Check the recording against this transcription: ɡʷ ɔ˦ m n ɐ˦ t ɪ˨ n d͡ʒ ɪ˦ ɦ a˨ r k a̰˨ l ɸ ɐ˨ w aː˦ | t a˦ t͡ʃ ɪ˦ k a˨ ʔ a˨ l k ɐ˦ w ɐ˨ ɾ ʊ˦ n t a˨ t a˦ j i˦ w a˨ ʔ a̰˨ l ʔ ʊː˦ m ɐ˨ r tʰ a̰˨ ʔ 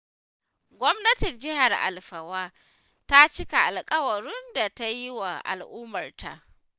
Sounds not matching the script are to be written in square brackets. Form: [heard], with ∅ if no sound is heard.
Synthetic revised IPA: ɡʷ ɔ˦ m n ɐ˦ t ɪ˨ n d͡ʒ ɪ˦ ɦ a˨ r [ʔ] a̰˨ l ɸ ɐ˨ w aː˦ | t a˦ t͡ʃ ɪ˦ k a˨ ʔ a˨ l [kʼ] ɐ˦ w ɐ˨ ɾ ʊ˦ n [d] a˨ t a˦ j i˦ w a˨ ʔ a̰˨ l ʔ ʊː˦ m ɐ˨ r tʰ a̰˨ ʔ

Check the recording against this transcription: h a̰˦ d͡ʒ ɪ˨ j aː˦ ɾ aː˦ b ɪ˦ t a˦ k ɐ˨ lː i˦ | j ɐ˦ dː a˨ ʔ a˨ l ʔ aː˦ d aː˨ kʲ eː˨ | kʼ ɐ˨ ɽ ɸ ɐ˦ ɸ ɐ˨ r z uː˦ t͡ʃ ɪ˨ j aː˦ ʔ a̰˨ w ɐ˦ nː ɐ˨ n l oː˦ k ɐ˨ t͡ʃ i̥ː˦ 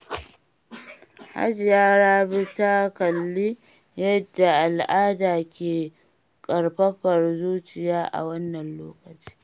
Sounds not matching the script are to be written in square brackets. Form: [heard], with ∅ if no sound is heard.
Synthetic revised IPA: h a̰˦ d͡ʒ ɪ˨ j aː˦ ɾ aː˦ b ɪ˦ t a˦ k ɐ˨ lː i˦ | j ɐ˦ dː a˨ ʔ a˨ l ʔ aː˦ d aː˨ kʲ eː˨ | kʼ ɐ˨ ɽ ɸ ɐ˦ ɸ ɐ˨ r z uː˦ t͡ʃ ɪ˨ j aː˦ ʔ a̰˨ w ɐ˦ nː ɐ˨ n l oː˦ k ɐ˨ t͡ʃ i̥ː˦

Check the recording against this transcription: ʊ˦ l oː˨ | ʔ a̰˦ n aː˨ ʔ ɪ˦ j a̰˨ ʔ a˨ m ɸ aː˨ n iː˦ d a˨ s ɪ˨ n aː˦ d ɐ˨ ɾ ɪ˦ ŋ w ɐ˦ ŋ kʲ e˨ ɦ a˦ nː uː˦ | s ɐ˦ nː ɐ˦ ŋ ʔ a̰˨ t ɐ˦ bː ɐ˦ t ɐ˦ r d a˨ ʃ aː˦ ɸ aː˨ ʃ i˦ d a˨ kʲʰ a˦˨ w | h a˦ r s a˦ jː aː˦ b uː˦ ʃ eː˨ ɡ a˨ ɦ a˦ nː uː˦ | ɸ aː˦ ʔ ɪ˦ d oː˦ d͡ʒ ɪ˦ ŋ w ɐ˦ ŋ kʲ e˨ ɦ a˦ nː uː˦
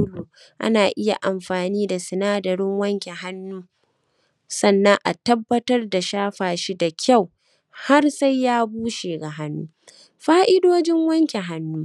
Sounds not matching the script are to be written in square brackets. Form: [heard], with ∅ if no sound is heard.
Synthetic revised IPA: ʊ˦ l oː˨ | ʔ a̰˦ n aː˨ ʔ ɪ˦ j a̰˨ ʔ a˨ m ɸ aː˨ n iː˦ d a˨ s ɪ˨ n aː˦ d ɐ˨ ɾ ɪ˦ ŋ w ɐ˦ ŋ kʲ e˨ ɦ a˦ nː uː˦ | s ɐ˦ nː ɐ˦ ŋ ʔ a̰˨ t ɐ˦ bː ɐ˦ t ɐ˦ r d a˨ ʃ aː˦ ɸ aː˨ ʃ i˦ d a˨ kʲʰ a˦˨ w | h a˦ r s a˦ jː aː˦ b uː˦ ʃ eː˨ ɡ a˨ ɦ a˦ nː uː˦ | ɸ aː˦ ʔ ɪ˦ d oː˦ d͡ʒ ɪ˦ ŋ w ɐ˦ ŋ kʲ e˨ ɦ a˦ nː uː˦

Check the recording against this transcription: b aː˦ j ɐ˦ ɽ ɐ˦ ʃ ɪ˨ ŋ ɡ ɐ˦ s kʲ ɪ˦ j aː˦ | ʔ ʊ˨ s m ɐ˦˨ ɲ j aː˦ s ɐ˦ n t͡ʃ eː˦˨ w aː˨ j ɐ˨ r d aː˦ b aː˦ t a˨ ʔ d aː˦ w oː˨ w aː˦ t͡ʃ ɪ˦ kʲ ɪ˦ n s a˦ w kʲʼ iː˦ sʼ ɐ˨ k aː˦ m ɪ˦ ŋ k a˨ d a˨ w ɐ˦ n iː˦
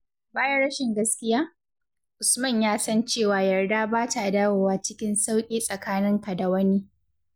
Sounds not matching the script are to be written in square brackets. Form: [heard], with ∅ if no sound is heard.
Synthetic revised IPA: b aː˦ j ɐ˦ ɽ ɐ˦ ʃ ɪ˨ ŋ ɡ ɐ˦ s kʲ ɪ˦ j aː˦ | ʔ ʊ˨ s m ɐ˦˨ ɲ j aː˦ s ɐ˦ n t͡ʃ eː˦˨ w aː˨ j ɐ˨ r d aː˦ b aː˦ t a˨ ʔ d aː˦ w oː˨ w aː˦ t͡ʃ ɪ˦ kʲ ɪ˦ n s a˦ w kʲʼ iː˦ sʼ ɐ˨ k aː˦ [n] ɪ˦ ŋ k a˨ d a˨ w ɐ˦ n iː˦

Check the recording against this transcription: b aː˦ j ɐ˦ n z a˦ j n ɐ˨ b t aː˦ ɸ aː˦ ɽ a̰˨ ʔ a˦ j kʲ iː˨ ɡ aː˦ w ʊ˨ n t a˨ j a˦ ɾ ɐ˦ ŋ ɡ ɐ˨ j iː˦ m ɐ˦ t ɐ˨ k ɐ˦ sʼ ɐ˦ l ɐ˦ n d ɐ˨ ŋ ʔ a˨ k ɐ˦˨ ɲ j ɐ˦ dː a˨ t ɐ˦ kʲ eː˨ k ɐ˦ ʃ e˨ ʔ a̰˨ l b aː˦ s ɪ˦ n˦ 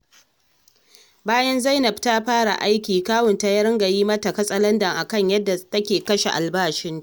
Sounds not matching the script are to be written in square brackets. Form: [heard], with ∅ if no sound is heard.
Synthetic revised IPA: b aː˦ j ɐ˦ n z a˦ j n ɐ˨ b t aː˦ ɸ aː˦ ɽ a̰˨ ʔ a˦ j kʲ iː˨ [k] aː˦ w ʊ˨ n t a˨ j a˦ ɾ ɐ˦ ŋ ɡ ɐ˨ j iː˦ m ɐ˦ t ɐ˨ k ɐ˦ sʼ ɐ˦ l ɐ˦ n d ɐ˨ ŋ ʔ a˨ k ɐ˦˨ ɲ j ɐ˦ dː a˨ t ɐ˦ kʲ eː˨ k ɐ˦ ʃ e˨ ʔ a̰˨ l b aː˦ [ʃ] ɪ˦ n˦

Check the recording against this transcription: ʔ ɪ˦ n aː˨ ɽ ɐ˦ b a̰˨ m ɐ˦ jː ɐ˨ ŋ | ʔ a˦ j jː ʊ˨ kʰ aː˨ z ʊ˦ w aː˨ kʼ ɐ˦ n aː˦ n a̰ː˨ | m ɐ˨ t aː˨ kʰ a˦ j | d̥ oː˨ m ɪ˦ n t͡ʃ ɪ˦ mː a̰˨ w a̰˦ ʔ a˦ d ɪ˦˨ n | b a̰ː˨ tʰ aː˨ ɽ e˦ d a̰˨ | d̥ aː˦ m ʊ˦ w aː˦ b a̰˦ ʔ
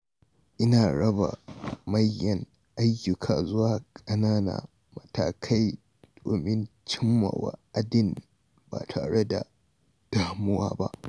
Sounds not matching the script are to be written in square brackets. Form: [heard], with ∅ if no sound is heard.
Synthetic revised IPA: ʔ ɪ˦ n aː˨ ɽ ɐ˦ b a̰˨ m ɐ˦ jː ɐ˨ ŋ | ʔ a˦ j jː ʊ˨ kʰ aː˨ z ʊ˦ w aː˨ kʼ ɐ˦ n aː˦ n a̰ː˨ | m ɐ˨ t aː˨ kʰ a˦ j | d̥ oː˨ m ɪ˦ n t͡ʃ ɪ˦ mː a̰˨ w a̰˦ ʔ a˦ d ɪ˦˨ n | b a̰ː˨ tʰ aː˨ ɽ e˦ d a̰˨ | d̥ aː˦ m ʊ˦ w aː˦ b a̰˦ ʔ

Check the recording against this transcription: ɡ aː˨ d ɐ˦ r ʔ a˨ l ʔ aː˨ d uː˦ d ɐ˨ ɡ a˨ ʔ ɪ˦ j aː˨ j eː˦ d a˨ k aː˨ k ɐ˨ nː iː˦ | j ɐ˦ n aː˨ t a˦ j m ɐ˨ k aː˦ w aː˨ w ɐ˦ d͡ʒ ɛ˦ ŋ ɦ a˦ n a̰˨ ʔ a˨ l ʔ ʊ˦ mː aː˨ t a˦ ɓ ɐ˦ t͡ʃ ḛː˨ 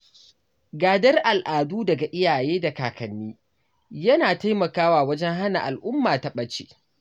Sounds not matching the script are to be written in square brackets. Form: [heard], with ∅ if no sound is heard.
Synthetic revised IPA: ɡ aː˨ d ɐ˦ r ʔ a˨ l ʔ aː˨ d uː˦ d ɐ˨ ɡ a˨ ʔ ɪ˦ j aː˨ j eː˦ d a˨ k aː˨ k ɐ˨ nː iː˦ | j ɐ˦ n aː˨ t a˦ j m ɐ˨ k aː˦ w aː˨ w ɐ˦ d͡ʒ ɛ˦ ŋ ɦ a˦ n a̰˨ ʔ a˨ l ʔ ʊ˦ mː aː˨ t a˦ ɓ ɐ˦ t͡ʃ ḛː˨

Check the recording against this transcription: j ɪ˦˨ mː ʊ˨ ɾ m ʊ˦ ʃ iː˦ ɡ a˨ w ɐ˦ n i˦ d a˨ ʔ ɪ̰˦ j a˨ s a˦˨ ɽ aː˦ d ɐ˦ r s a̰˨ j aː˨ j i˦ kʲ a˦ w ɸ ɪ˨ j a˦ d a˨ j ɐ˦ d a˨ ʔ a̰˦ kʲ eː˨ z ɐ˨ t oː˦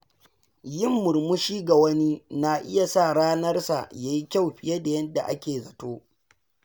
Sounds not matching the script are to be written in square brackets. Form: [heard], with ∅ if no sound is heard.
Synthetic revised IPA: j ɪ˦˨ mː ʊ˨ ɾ m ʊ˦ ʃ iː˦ ɡ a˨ w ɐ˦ n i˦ [n] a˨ ʔ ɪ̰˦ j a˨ s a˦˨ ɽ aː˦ [n] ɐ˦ r s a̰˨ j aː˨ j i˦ kʲ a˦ w ɸ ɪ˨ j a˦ d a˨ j ɐ˦ d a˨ ʔ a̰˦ kʲ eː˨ z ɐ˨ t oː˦

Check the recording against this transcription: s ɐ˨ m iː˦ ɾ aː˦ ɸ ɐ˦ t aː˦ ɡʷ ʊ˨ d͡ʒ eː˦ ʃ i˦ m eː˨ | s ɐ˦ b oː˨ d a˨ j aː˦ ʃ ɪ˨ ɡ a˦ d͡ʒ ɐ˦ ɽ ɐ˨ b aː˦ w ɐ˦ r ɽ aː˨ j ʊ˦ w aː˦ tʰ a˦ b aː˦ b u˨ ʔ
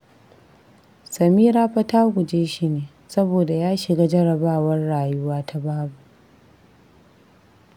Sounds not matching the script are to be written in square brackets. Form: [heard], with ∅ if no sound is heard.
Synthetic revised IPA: s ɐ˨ m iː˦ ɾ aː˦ ɸ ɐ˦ t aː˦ ɡʷ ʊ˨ d͡ʒ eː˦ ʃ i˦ [n] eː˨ | s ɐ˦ b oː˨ d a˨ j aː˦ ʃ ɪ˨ ɡ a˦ d͡ʒ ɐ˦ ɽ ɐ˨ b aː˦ w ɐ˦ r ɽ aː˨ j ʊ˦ w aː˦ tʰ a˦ b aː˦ b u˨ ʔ

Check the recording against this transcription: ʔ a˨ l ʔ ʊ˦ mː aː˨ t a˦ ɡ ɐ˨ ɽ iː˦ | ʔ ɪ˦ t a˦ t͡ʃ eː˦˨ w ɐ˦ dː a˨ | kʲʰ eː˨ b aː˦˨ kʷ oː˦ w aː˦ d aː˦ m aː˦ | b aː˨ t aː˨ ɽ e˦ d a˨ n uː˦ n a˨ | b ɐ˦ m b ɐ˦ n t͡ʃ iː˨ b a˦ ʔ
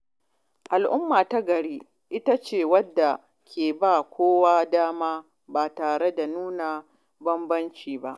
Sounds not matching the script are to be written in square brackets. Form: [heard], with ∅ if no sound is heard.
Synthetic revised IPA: ʔ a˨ l ʔ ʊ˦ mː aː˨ t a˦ ɡ ɐ˨ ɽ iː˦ | ʔ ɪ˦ t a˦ t͡ʃ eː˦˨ w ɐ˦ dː a˨ | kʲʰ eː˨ b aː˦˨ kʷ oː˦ w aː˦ d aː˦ m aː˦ | b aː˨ t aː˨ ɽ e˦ d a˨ n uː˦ n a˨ | b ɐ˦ m b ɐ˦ n t͡ʃ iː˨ b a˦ ʔ

